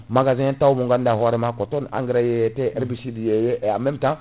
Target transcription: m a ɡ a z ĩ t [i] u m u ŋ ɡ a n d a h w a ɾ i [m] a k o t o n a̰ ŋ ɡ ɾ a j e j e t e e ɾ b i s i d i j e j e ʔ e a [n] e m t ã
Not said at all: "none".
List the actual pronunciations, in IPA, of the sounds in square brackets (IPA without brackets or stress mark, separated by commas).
a, m, m